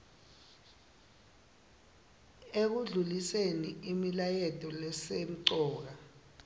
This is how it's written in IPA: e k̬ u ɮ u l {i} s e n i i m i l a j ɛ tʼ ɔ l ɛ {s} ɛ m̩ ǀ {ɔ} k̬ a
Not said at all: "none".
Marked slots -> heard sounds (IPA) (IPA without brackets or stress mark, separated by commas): i, s, ɔː